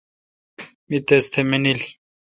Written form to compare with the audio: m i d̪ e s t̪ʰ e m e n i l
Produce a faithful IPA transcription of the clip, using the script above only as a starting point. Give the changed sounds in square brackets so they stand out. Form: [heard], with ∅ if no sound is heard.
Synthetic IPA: m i [t̪] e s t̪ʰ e m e n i l